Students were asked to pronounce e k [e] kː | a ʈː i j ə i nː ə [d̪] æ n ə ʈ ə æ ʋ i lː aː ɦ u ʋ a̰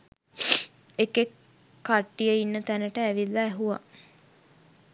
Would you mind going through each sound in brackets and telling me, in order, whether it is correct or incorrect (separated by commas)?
correct, incorrect